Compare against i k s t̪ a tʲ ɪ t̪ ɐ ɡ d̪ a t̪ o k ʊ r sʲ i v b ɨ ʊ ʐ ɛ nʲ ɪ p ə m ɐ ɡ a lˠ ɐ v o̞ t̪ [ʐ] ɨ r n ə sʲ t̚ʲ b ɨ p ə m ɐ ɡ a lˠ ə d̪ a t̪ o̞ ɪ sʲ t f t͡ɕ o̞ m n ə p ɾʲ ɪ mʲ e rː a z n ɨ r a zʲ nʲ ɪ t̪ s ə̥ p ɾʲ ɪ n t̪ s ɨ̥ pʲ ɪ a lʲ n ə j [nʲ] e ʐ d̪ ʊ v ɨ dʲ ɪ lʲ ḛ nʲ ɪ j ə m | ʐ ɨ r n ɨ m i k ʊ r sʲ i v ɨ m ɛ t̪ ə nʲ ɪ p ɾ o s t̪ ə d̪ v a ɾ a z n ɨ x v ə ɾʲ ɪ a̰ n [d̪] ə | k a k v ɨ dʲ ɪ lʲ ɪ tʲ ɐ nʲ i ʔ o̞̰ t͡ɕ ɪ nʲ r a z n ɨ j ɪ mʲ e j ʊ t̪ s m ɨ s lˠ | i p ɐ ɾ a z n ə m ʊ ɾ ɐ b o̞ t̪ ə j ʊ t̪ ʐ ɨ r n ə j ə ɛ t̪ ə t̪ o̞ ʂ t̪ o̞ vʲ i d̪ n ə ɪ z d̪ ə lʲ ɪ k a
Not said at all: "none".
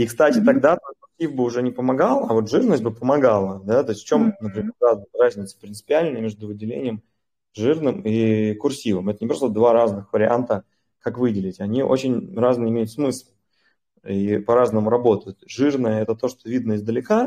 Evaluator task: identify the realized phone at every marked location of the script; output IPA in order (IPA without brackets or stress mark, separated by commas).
ʐ, mʲ, t̪